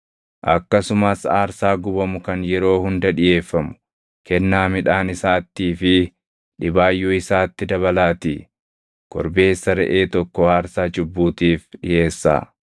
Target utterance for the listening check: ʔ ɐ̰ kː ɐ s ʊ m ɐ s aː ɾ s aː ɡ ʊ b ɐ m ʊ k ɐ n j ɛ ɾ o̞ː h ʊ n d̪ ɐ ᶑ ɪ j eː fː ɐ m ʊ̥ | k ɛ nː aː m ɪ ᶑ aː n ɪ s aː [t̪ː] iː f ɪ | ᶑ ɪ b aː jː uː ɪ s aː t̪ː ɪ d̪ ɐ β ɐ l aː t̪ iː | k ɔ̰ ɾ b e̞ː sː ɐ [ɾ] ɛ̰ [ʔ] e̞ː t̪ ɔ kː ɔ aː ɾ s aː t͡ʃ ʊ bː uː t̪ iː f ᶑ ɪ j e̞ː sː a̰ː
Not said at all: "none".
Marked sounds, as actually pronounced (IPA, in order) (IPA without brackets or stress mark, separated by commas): t̪ː, ɾ, ʔ